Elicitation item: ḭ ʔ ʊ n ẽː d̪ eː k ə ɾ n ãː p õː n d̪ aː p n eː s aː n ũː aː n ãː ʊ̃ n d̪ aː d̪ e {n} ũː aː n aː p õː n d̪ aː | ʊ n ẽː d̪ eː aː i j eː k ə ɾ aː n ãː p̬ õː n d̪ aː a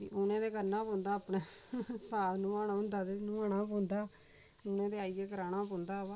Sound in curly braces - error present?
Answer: no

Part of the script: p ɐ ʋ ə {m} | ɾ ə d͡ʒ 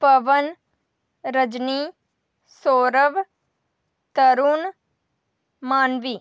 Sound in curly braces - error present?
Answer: yes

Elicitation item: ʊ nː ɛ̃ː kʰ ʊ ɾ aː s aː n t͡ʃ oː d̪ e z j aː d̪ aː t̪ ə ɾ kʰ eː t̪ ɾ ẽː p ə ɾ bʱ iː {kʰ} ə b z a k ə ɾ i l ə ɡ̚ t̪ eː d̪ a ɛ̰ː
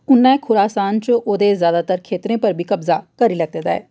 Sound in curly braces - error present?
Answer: yes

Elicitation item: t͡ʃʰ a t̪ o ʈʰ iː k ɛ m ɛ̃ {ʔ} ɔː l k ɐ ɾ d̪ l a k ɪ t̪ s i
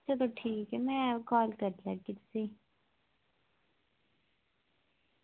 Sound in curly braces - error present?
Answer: yes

